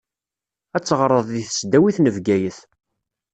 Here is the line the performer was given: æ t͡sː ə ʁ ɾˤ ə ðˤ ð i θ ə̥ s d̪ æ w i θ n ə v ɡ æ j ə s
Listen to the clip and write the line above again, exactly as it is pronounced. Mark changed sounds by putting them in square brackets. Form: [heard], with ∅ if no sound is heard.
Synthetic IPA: æ t͡sː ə ʁ ɾˤ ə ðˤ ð i θ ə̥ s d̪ æ w i θ n ə v ɡ æ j ə [θ]

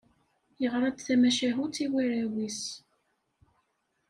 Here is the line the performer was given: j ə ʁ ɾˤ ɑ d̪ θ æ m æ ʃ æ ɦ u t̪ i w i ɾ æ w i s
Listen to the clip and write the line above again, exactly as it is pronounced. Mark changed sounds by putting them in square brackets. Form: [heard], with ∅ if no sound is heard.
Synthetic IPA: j ə ʁ ɾˤ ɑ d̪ θ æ m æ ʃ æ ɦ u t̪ i w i ɾ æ w i s

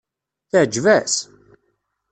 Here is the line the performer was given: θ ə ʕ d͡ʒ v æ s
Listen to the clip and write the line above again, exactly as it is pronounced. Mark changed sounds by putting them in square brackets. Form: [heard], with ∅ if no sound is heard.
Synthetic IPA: θ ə ʕ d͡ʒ v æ s

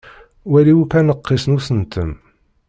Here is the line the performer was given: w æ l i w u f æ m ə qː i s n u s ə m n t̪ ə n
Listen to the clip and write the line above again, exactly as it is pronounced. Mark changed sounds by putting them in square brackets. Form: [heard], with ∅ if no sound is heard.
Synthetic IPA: w æ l i w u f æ [n] ə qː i s n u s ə [∅] n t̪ ə [m]

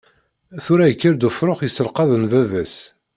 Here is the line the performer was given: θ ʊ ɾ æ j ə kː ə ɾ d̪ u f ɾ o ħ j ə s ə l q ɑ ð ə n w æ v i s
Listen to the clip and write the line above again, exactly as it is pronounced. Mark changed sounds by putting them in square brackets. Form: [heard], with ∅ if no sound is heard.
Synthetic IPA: θ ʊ ɾ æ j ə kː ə ɾ d̪ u f ɾ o [χ] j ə s ə l q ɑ ð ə n [v] æ v [æ] s

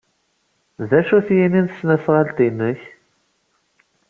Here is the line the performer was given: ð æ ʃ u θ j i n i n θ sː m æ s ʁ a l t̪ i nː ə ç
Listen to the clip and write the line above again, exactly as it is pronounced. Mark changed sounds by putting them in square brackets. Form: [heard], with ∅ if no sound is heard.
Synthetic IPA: ð æ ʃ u θ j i n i n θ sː [n] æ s ʁ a l t̪ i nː ə ç

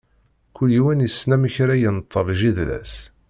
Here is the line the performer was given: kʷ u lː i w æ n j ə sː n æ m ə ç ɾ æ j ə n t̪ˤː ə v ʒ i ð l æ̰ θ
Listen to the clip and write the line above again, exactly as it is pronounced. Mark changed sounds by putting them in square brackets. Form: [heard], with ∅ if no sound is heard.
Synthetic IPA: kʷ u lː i w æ n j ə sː n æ m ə ç ɾ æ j ə n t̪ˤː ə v ʒ i ð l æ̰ [s]

